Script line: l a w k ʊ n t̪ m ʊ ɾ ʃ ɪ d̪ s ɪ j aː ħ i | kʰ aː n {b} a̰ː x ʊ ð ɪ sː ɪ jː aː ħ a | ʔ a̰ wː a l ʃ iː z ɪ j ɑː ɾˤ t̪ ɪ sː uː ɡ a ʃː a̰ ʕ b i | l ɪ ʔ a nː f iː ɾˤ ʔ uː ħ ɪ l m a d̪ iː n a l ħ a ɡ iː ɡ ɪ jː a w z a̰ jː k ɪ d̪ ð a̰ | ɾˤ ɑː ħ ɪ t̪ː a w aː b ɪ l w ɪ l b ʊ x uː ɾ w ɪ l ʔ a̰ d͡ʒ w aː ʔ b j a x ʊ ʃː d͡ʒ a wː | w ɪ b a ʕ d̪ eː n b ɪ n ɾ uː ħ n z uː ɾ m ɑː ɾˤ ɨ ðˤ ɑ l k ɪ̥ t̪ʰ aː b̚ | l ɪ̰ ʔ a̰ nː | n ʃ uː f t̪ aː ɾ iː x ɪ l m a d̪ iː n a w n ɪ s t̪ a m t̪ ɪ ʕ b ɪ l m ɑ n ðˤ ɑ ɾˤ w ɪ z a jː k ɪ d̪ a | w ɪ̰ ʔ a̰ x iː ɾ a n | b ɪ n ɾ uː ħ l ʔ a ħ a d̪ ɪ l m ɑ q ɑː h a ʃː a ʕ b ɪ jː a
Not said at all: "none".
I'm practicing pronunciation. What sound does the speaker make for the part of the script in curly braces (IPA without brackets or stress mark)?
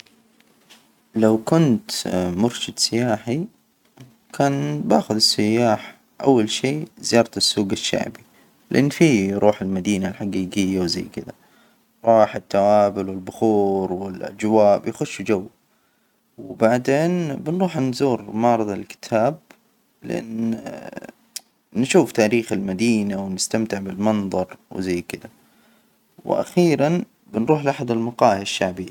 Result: b